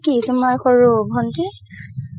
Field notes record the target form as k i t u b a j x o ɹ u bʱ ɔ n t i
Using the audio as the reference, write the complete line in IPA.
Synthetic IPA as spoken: k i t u m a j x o ɹ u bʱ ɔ n t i

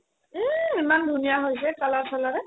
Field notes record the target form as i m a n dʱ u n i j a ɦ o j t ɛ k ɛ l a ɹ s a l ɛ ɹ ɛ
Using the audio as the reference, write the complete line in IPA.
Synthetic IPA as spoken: i m a n dʱ u n i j a ɦ o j s ɛ k a l a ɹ s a l a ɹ ɛ

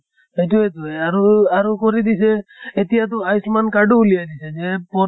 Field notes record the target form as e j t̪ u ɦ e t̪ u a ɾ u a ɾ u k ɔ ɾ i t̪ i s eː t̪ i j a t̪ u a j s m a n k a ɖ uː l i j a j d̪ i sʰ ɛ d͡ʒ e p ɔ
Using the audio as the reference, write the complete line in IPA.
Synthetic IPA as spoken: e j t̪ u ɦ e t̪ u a ɾ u a ɾ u k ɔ ɾ i d̪ i s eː t̪ i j a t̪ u a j s m a n k a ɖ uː l i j a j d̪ i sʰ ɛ d͡ʒ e p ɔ

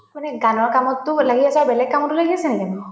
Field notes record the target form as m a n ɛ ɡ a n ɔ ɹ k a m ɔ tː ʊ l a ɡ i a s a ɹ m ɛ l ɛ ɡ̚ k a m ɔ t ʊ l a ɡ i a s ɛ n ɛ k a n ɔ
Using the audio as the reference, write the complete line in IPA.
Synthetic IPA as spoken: m a n ɛ ɡ a n ɔ ɹ k a m ɔ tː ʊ l a ɡ i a s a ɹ b ɛ l ɛ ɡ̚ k a m ɔ t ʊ l a ɡ i a s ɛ n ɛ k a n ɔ

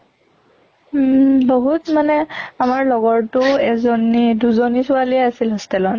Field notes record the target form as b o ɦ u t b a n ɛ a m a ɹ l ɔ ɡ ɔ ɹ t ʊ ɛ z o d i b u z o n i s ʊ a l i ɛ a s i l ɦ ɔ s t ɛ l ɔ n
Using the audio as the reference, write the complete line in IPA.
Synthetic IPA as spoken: b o ɦ u t m a n ɛ a m a ɹ l ɔ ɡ ɔ ɹ t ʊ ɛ z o n i d u z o n i s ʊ a l i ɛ a s i l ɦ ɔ s t ɛ l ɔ n

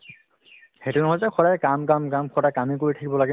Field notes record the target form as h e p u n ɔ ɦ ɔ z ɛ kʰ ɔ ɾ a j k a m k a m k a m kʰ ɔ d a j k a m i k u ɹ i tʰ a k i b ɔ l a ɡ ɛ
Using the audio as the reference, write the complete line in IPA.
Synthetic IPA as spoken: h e t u n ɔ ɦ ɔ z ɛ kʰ ɔ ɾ a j k a m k a m k a m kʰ ɔ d a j k a m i k o ɹ i tʰ a k i b ɔ l a ɡ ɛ

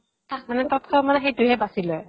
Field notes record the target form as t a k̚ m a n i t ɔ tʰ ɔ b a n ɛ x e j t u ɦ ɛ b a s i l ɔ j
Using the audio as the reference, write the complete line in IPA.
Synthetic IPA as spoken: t a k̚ m a n ɛ t ɔ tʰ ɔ m a n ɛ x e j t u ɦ ɛ b a s i l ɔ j

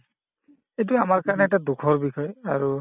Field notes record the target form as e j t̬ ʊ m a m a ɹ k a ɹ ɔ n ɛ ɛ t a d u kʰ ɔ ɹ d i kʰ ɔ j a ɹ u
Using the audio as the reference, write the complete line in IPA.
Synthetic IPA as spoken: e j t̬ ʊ a m a ɹ k a ɹ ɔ n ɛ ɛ t a d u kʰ ɔ ɹ b i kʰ ɔ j a ɹ u

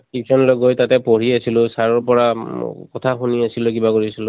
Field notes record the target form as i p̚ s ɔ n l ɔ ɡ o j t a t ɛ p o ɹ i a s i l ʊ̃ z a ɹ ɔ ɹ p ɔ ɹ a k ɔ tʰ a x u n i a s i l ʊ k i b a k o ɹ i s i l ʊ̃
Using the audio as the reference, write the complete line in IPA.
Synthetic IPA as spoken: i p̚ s ɔ n l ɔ ɡ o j t a t ɛ p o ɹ i a s i l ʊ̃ s a ɹ ɔ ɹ p ɔ ɹ a k ɔ tʰ a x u n i a s i l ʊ k i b a k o ɹ i s i l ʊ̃

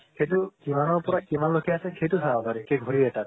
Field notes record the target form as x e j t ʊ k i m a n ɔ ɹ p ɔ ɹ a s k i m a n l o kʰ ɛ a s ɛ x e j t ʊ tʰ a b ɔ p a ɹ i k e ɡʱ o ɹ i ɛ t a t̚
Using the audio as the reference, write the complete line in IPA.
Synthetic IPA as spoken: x e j t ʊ k i m a n ɔ ɹ p ɔ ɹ a k i m a n l o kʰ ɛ a s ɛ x e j t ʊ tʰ a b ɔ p a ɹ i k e ɡʱ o ɹ i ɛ t a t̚

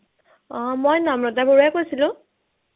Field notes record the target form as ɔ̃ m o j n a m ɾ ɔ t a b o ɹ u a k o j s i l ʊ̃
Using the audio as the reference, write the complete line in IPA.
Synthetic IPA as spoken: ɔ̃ m o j n a m ɹ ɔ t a b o ɹ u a k o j s i l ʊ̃

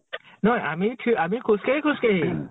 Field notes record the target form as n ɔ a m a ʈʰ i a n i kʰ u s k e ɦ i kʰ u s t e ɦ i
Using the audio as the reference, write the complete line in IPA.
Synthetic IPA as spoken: n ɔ a m i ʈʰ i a m i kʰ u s k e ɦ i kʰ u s k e ɦ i

